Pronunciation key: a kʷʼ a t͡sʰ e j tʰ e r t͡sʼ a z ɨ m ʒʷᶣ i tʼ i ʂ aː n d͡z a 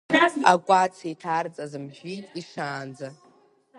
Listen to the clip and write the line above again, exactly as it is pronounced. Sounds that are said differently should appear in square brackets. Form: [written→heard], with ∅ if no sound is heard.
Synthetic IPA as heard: a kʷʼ a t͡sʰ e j tʰ [e→a] r t͡sʼ a z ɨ m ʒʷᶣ i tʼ i ʂ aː n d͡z a